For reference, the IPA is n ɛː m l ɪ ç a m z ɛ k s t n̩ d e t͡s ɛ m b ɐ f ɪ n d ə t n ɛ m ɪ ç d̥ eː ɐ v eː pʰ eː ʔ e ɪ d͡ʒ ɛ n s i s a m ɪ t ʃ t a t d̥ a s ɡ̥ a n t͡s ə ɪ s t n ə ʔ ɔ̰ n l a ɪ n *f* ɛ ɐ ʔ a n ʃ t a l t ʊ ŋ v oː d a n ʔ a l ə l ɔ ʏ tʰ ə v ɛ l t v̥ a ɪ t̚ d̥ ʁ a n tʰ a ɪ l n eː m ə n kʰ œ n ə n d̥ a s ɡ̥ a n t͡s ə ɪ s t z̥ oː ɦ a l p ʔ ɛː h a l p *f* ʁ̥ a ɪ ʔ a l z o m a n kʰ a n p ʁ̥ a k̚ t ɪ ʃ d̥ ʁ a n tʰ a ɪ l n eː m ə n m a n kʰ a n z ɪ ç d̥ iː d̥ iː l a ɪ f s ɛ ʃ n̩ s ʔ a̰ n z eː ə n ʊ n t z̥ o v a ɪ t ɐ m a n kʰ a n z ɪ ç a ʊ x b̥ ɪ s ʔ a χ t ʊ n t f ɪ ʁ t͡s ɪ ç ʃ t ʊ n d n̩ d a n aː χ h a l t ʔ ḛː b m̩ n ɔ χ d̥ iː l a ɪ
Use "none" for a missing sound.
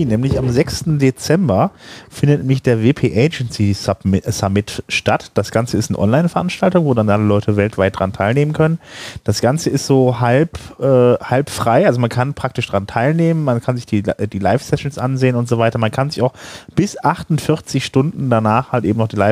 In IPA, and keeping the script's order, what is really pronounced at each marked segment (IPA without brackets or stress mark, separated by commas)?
f, f